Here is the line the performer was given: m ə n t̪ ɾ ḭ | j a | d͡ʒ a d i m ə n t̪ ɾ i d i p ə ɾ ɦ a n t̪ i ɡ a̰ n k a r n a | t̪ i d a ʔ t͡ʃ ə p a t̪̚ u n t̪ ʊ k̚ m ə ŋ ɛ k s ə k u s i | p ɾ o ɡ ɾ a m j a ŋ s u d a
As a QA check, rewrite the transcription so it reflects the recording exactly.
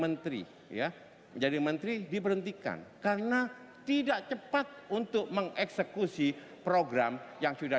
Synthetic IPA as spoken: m ə n t̪ ɾ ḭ | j a | d͡ʒ a d i m ə n t̪ ɾ i d i p ə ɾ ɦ ə n t̪ i k a̰ n k a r n a | t̪ i d a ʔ t͡ʃ ə p a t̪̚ u n t̪ ʊ k̚ m ə ŋ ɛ k s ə k u s i | p ɾ o ɡ ɾ a m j a ŋ s u d a